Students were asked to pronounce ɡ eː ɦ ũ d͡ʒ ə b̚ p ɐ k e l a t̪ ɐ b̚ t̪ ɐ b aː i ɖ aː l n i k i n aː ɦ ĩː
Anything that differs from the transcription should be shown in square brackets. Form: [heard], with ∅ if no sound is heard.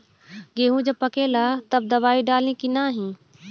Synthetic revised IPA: ɡ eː ɦ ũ d͡ʒ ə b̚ p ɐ k e l a t̪ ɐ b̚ [d̪] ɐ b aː i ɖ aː l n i k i n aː ɦ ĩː